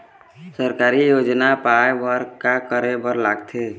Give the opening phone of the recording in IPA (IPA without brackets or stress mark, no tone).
s